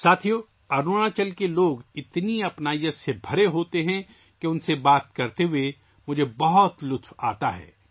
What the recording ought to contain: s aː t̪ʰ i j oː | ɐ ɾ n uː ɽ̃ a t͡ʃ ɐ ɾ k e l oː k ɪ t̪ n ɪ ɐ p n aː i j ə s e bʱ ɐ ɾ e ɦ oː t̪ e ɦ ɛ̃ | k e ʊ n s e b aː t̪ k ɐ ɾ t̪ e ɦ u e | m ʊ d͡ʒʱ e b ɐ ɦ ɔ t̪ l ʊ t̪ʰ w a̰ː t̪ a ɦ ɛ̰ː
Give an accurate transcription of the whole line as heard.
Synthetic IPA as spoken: s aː t̪ʰ i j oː | ɐ ɾ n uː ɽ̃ a t͡ʃ ɐ l k e l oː ɡ ɪ t̪ n i ɐ p n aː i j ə s e bʱ ɐ ɾ e ɦ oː t̪ e ɦ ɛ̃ | k e ʊ n s e b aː t̪ k ɐ ɾ t̪ e ɦ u e | m ʊ d͡ʒʱ e b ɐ ɦ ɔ t̪ l ʊ t̪ʰ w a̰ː t̪ a ɦ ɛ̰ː